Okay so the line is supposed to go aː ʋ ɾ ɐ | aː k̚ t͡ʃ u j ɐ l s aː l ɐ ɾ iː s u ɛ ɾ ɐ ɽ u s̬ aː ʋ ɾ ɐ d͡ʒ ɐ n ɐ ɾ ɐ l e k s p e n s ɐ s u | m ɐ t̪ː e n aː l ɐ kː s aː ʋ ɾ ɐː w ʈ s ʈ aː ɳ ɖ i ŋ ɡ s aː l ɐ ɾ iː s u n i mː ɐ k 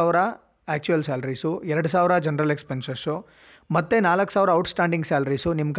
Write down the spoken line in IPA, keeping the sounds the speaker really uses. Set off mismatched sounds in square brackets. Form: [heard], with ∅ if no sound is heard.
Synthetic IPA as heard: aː ʋ ɾ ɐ | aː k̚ t͡ʃ u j ɐ l s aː l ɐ ɾ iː s u ɛ ɾ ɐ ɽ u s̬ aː ʋ ɾ ɐ d͡ʒ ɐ n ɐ ɾ ɐ l e k s p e n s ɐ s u | m ɐ t̪ː e n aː l ɐ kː s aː ʋ ɾ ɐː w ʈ s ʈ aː ɳ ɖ i ŋ ɡ s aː l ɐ ɾ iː s u n i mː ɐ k